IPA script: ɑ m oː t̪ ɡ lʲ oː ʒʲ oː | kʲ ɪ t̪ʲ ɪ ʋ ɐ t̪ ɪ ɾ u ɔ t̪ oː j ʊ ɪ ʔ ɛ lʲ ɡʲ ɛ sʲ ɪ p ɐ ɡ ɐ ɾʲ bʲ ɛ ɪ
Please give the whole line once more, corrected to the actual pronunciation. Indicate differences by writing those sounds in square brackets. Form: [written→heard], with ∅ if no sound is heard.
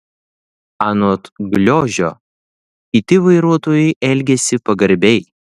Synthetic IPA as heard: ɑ [m→n] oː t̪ ɡ lʲ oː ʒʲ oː | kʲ ɪ t̪ʲ ɪ ʋ ɐ [t̪→∅] ɪ ɾ u ɔ t̪ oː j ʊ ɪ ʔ ɛ lʲ ɡʲ ɛ sʲ ɪ p ɐ ɡ ɐ ɾʲ bʲ ɛ ɪ